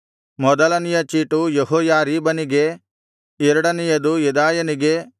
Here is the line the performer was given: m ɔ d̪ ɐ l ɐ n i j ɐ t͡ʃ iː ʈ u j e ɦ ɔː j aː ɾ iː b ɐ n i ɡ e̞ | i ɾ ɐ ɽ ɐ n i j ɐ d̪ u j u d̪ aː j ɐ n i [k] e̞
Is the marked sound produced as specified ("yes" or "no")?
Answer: no